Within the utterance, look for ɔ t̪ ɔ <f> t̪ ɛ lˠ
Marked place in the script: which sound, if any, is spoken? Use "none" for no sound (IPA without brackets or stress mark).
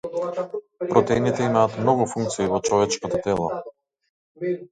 none